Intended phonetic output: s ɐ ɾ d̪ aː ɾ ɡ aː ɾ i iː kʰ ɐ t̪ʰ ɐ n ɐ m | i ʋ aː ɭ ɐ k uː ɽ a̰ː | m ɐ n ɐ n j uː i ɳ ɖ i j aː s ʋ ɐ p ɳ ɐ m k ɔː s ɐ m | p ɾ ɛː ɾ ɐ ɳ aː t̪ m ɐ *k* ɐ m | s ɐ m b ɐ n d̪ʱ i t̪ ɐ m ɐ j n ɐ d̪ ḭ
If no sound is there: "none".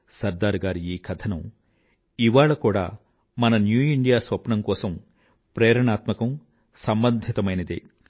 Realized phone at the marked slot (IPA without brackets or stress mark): k